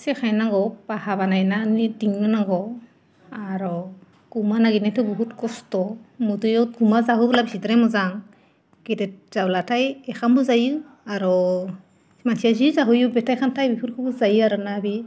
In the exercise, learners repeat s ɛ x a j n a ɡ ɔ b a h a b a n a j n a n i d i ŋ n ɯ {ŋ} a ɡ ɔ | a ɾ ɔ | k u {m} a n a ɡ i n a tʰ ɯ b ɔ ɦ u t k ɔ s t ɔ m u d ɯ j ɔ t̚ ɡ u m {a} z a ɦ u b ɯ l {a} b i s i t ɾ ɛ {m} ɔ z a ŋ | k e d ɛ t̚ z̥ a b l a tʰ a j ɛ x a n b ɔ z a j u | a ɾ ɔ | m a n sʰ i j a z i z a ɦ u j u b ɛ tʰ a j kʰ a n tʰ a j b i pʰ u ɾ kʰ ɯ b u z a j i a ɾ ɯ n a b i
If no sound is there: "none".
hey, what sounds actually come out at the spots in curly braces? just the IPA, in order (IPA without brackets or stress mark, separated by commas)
n, m, a, a, m